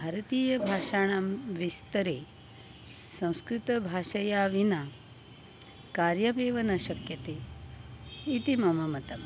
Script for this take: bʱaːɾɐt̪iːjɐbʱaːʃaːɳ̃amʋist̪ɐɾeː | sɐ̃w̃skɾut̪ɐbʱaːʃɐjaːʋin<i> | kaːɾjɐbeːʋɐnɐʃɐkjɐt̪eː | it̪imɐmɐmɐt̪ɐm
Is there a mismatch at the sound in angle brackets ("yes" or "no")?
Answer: yes